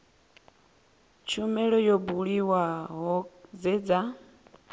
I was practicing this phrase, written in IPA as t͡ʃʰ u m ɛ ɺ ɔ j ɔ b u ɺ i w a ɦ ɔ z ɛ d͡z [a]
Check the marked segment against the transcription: correct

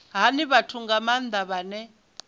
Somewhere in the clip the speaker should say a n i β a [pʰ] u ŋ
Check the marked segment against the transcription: incorrect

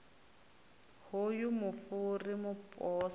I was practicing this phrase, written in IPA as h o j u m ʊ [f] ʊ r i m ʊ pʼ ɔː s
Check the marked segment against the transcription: correct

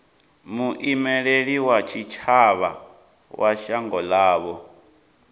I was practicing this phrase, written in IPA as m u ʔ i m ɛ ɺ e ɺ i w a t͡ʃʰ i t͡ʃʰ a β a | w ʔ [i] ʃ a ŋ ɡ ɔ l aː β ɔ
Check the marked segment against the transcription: incorrect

